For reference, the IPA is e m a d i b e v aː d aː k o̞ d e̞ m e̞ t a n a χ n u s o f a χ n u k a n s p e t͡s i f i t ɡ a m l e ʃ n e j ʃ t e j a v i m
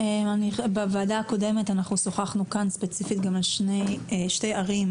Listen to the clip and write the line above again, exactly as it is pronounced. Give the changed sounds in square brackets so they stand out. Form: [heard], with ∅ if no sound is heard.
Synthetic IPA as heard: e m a [n] i b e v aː d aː k o̞ d e̞ m e̞ t a n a χ n u s o [χ] a χ n u k a n s p e t͡s i f i t ɡ a m l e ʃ n e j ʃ t e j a [ʁ] i m